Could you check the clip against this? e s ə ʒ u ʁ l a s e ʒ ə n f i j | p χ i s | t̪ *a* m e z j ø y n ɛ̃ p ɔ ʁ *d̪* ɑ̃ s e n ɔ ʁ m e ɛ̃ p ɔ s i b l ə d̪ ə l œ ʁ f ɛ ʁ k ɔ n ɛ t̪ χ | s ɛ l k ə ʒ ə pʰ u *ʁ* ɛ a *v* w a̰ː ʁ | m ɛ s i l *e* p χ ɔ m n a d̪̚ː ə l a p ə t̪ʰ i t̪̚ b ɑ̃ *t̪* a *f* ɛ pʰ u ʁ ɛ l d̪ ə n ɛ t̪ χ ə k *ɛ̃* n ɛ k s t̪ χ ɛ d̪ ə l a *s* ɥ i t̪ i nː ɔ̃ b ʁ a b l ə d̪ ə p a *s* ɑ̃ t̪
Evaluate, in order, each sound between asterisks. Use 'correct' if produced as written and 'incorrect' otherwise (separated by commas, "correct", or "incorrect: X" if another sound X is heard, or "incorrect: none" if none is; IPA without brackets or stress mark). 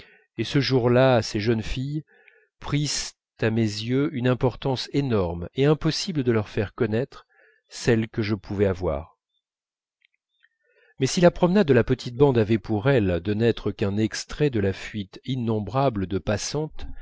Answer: correct, incorrect: t̪, incorrect: v, correct, incorrect: a, incorrect: d̪, incorrect: v, correct, incorrect: f, correct